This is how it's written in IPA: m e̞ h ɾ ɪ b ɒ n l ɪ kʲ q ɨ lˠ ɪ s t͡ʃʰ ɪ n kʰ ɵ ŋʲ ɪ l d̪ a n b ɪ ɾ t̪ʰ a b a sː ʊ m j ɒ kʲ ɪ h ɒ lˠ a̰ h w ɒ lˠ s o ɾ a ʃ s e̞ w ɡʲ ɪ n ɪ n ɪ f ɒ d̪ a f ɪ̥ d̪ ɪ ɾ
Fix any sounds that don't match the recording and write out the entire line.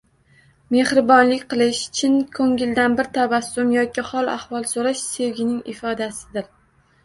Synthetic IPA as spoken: m e̞ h ɾ ɪ b ɒ n l ɪ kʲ q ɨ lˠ ɪ ʃ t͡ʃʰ ɪ n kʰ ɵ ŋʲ ɪ l d̪ a n b ɪ ɾ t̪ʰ a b a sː ʊ m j ɒ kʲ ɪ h ɒ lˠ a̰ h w ɒ lˠ s o ɾ a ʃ s e̞ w ɡʲ ɪ n ɪ ŋ ɪ f ɒ d̪ a s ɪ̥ d̪ ɪ ɾ

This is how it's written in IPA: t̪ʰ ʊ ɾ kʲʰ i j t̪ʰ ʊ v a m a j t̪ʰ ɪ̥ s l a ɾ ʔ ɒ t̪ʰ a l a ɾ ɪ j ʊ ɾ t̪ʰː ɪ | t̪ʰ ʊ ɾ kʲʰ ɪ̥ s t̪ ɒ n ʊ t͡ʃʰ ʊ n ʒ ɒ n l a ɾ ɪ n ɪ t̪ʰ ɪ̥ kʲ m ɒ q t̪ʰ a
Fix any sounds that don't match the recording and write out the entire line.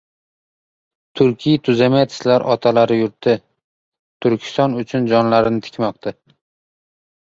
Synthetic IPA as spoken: t̪ʰ ʊ ɾ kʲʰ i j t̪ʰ ʊ z a m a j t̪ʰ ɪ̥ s l a ɾ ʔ ɒ t̪ʰ a l a ɾ ɪ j ʊ ɾ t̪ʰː ɪ | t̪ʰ ʊ ɾ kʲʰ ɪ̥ s t̪ ɒ n ʊ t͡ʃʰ ʊ n d͡ʒ ɒ n l a ɾ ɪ n ɪ t̪ʰ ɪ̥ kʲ m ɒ q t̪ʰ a

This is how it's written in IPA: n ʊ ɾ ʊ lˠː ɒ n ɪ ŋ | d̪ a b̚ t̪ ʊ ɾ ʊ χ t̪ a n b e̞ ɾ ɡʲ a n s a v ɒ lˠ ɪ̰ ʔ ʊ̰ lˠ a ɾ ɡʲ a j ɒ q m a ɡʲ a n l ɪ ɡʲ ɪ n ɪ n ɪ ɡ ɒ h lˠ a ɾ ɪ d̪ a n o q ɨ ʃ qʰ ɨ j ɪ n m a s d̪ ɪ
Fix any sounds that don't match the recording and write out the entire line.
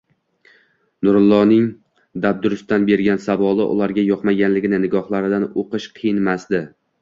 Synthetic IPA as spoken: n ʊ ɾ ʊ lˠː ɒ n ɪ ŋ | d̪ a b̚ d̪ ʊ ɾ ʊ s t̪ a n b e̞ ɾ ɡʲ a n s a v ɒ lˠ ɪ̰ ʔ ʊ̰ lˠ a ɾ ɡʲ a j ɒ q m a ɡʲ a n l ɪ ɡʲ ɪ n ɪ n ɪ ɡ ɒ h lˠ a ɾ ɪ d̪ a n o q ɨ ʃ qʰ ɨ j ɪ n m a s d̪ ɪ

